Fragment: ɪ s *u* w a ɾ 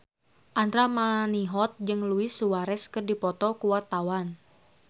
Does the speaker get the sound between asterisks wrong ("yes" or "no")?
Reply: no